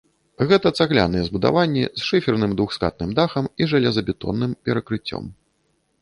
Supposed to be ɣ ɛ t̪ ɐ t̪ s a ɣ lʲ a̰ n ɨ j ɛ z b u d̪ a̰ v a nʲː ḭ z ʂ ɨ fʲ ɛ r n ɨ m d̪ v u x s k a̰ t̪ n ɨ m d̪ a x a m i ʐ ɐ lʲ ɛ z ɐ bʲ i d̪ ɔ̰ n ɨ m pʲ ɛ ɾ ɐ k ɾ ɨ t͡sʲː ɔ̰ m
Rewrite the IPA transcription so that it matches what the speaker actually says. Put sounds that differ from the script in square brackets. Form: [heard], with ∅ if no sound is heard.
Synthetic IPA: ɣ ɛ t̪ ɐ t̪ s a ɣ lʲ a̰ n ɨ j ɛ z b u d̪ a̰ v a nʲː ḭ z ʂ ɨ fʲ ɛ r n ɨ m d̪ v u x s k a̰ t̪ n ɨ m d̪ a x [ɐ] m i ʐ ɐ lʲ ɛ z ɐ bʲ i [t̪] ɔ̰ [nː] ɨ m pʲ ɛ ɾ ɐ k ɾ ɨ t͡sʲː ɔ̰ m